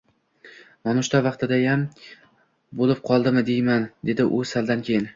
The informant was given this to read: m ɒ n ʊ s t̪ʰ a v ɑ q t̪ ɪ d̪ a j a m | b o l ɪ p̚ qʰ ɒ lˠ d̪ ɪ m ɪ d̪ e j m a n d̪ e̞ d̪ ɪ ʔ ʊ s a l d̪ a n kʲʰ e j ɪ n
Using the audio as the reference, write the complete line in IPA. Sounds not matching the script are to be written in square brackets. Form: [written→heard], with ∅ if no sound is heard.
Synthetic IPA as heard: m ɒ n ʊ [s→ʃ] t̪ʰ a v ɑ q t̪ ɪ d̪ a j a m | b o l ɪ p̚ qʰ ɒ lˠ d̪ ɪ m ɪ d̪ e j m a n d̪ e̞ d̪ ɪ ʔ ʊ s a l d̪ a n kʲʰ e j ɪ n